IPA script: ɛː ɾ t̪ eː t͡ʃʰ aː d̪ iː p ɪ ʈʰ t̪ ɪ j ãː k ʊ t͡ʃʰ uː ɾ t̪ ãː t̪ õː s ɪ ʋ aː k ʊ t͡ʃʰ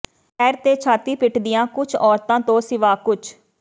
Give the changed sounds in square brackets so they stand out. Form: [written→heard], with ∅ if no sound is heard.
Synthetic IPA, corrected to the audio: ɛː ɾ t̪ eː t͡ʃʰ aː [d̪→t̪] iː p ɪ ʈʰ [t̪→d̪] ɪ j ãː k ʊ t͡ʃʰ [uː→ɔː] ɾ t̪ ãː t̪ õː s ɪ ʋ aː k ʊ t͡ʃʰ